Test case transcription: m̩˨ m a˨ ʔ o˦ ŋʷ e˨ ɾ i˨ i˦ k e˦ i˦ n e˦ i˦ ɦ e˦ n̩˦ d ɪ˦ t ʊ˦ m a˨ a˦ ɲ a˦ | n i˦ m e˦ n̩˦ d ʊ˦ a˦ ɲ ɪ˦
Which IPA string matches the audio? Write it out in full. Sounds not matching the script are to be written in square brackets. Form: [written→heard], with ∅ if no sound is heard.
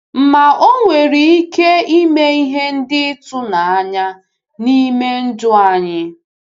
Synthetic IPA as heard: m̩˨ m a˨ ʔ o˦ ŋʷ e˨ ɾ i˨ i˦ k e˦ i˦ [n→m] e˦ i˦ ɦ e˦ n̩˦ d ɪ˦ t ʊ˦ [m→n] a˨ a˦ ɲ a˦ | n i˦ m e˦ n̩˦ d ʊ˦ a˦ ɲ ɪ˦

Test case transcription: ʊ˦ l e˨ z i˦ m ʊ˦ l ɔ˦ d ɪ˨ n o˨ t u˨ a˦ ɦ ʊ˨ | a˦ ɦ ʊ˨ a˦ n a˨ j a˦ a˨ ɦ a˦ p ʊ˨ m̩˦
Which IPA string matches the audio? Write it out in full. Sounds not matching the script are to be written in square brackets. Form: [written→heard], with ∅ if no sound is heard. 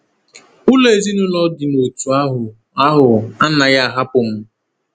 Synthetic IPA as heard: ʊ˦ l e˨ z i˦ [m→n] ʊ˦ l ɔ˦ d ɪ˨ n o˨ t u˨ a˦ ɦ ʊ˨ | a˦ ɦ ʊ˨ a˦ n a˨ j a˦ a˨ ɦ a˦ p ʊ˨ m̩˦

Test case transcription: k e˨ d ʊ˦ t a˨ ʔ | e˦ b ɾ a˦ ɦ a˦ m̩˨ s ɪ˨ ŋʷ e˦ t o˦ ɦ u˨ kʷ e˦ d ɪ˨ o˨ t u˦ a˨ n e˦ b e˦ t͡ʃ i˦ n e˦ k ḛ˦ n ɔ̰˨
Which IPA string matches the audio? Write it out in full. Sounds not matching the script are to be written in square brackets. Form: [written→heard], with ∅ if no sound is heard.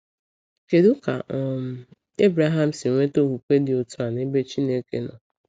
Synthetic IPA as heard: k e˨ d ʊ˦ [t→k] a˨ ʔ | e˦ b ɾ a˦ ɦ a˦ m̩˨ s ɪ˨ ŋʷ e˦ t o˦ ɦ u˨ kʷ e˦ d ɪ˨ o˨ t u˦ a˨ n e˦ b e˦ t͡ʃ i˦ n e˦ k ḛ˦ n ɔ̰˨

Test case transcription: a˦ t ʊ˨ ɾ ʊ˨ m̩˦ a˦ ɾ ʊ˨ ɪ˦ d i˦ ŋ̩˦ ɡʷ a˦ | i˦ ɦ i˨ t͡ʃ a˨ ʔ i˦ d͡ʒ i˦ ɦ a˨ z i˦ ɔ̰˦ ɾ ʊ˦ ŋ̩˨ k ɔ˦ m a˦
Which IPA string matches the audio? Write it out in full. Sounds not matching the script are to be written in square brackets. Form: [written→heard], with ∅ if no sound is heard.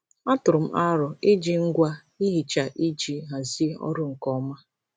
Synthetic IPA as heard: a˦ t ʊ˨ ɾ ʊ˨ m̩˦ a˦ ɾ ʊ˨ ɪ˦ [d→d͡ʒ] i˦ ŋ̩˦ ɡʷ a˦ | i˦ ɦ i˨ t͡ʃ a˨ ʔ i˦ d͡ʒ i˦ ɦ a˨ z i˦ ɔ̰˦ ɾ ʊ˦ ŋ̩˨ k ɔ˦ m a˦

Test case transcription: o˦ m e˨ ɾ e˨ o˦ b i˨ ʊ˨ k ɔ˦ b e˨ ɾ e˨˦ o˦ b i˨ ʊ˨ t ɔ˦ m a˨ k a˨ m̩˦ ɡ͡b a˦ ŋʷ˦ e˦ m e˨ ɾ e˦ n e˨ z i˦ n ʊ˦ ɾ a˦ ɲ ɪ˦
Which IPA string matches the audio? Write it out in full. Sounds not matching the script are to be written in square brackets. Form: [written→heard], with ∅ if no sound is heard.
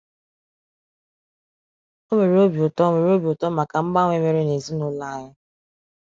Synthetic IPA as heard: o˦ m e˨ ɾ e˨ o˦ b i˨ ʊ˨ [k→t] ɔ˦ [b→m] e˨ ɾ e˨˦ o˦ b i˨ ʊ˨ t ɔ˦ m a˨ k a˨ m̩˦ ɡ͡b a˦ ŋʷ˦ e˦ m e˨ ɾ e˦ n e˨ z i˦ n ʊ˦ [ɾ→l] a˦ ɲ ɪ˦

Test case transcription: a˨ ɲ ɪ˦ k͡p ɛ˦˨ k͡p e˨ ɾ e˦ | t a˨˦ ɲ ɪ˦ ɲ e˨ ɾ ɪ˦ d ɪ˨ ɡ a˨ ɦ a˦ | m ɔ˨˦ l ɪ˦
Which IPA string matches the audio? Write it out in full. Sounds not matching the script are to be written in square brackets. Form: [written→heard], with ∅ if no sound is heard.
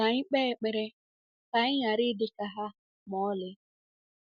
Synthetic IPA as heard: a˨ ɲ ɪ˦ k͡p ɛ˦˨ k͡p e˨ ɾ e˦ | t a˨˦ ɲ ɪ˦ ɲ [e˨→a˨] ɾ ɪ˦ d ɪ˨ [ɡ→k] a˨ ɦ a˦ | m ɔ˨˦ l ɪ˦

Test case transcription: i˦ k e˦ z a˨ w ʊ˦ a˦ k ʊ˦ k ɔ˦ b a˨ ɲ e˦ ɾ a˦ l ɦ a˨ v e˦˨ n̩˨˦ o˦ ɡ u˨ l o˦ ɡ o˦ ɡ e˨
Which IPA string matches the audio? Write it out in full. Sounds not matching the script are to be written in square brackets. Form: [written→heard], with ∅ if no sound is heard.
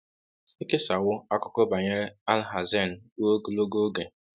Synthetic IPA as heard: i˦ k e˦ [z→s] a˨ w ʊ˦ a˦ k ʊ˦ k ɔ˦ b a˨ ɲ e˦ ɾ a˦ l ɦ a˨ [v→z] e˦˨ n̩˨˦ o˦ ɡ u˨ l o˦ ɡ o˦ ɡ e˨

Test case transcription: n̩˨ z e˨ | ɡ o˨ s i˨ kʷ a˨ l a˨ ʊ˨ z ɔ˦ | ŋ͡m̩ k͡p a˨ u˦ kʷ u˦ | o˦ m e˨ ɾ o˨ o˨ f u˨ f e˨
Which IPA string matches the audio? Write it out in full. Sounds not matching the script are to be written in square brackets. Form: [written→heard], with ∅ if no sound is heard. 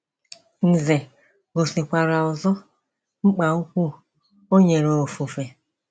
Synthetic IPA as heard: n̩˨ z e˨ | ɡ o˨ s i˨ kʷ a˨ [l→ɾ] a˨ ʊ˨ z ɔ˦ | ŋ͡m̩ k͡p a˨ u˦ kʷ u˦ | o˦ [m→ɲ] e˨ ɾ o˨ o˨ f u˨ f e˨

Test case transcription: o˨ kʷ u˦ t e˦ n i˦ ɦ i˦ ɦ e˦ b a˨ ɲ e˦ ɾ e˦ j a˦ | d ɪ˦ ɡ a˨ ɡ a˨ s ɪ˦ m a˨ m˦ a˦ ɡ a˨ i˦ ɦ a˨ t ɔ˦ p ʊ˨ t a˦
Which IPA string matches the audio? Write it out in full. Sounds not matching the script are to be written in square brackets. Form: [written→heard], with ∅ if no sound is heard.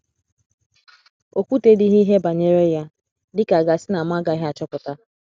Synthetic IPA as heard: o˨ kʷ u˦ t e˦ [n→d] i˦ ɦ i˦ ɦ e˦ b a˨ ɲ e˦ ɾ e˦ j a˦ | d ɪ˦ [ɡ→k] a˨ ɡ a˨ s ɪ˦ [m→n] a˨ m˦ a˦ ɡ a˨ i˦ ɦ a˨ [t→t͡ʃ] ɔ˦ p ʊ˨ t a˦

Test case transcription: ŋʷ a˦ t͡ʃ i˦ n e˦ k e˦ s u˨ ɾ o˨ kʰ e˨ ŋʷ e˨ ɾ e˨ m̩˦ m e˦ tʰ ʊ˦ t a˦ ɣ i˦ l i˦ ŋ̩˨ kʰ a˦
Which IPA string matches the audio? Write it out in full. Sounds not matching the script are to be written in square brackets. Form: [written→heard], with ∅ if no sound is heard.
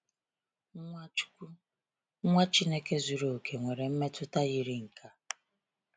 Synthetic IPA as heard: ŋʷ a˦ t͡ʃ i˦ n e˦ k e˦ [s→z] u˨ ɾ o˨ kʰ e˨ ŋʷ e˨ ɾ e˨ m̩˦ m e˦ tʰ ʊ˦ t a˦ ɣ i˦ [l→ɾ] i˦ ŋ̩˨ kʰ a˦

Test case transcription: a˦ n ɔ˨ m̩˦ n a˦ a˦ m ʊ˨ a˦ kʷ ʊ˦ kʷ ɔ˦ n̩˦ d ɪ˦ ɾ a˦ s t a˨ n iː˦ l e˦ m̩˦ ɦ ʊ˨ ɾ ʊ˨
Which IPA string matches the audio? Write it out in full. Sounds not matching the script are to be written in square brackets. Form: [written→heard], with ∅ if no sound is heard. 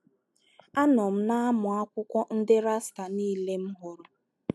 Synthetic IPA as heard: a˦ n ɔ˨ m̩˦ n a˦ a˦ m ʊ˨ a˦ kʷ ʊ˦ kʷ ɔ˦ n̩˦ d ɪ˦ ɾ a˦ s t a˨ n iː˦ l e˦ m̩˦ ɦ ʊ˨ ɾ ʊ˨

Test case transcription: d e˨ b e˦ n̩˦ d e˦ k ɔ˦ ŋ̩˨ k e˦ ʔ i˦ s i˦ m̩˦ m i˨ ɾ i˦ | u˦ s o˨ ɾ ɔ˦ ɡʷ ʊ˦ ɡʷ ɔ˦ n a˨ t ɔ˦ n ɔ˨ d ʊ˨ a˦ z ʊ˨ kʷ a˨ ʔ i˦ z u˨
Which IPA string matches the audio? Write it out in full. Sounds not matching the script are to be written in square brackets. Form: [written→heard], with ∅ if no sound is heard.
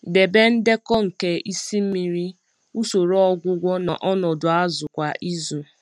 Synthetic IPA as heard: d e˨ b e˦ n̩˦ d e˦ k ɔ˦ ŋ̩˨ k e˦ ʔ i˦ s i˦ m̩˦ m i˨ ɾ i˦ | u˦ s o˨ ɾ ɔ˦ ɡʷ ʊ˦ ɡʷ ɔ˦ n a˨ [t→ʔ] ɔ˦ n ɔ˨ d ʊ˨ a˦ z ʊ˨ kʷ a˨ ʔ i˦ z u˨

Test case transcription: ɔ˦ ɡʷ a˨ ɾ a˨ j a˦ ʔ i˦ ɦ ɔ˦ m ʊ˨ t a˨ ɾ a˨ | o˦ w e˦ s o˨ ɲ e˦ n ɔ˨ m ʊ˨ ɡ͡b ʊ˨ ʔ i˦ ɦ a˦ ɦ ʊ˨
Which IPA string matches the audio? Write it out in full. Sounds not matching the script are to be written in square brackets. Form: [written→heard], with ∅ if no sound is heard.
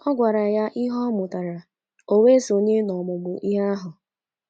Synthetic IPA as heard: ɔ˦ ɡʷ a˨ ɾ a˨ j a˦ ʔ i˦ ɦ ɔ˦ m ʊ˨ t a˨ ɾ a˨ | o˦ w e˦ s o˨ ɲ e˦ n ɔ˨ m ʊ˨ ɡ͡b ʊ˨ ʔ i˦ ɦ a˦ ɦ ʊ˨

